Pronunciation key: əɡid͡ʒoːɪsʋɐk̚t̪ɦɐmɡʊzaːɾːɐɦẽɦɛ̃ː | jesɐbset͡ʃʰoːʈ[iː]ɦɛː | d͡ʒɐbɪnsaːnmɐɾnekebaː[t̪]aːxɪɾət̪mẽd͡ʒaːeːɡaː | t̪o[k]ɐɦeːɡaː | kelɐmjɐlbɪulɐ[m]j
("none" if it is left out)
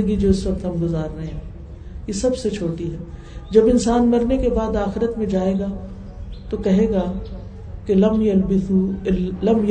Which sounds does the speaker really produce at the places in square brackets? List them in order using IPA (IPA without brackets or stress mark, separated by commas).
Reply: i, d̪, k, m